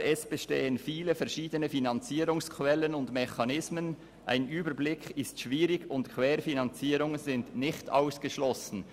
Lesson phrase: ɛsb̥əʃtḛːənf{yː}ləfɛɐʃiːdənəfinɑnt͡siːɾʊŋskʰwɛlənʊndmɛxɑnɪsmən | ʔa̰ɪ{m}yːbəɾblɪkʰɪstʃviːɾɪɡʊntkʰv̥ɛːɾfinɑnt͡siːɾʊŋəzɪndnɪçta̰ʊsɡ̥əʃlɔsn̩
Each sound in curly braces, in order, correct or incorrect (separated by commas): incorrect, incorrect